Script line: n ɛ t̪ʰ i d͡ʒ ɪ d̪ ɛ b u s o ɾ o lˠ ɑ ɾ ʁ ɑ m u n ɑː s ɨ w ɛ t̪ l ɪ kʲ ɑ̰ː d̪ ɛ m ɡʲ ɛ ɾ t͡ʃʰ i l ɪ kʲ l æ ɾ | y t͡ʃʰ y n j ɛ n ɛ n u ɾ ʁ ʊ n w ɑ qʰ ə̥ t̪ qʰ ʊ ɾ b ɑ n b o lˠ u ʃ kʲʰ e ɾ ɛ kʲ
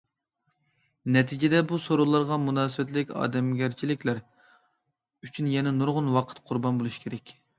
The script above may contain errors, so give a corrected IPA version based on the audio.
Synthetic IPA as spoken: n ɛ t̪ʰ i d͡ʒ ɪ d̪ ɛ b u s o ɾ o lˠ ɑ ɾ ʁ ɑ m u n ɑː s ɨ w ɛ t̪ l ɪ kʲ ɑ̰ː d̪ ɛ m ɡʲ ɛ ɾ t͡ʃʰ i l ɪ kʲ l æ ɾ | y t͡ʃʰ y n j ɛ n ɛ n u ɾ ʁ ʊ n w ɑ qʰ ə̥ t̪ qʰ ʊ ɾ b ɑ n b o lˠ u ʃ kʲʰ e ɾ ɛ kʲ